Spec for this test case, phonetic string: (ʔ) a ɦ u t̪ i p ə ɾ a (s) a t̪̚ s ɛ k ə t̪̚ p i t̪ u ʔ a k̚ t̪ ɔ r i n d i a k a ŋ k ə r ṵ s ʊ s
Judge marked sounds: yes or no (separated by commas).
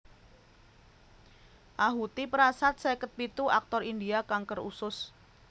yes, yes